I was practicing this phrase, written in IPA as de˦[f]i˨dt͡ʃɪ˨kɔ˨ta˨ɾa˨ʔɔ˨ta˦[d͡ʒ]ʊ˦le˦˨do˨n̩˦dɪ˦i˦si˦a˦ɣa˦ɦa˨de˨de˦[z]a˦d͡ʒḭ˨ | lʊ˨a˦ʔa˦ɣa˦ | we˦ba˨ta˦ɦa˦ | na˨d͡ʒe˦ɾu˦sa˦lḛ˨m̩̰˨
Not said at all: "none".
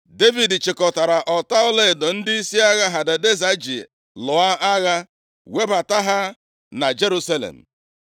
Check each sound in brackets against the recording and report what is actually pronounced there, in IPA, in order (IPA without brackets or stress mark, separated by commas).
v, none, z